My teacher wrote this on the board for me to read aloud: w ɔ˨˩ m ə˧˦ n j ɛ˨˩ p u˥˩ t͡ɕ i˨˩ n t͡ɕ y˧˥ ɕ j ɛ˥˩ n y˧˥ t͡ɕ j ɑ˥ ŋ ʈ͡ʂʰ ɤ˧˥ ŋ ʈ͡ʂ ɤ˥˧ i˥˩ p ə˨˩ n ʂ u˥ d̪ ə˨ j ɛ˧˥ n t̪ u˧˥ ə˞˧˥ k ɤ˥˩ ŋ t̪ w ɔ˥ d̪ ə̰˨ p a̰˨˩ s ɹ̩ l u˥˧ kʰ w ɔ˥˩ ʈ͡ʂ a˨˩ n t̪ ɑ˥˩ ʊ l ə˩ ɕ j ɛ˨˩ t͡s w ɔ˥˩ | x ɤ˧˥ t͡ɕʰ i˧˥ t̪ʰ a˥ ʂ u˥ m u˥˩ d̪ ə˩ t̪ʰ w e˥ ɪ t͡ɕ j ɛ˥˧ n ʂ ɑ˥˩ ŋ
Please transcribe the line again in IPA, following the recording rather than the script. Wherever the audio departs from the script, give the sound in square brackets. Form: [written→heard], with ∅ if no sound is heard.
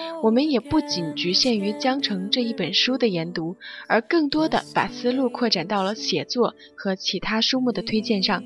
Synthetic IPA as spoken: w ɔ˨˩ m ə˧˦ n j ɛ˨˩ p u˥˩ t͡ɕ i˨˩ n t͡ɕ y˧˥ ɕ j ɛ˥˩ n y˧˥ t͡ɕ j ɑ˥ ŋ ʈ͡ʂʰ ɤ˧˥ ŋ ʈ͡ʂ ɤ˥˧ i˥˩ p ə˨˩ n ʂ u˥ d̪ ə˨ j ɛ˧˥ n t̪ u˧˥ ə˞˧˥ k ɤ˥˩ ŋ t̪ w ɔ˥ d̪ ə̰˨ p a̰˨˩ s ɹ̩ l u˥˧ kʰ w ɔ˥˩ ʈ͡ʂ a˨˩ n t̪ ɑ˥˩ ʊ l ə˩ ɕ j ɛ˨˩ t͡s w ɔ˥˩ | x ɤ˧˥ t͡ɕʰ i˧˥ t̪ʰ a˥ ʂ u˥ m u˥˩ d̪ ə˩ t̪ʰ w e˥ ɪ t͡ɕ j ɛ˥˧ n ʂ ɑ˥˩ ŋ